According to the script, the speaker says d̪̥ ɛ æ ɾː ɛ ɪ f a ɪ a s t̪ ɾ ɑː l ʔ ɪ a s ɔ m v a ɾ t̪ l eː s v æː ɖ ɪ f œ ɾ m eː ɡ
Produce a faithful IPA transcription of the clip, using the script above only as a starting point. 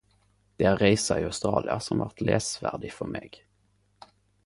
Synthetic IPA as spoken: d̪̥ ɛ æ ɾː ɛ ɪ s a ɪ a s t̪ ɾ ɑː l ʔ ɪ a s ɔ m v a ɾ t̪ l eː s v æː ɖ ɪ f œ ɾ m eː ɡ